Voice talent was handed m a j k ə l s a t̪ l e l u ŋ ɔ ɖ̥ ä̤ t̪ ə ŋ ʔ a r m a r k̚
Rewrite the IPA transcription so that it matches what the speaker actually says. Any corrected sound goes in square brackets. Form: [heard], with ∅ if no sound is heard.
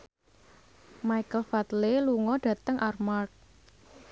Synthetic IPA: m a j k ə l [f] a t̪ l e l u ŋ ɔ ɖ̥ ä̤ t̪ ə ŋ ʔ a r m a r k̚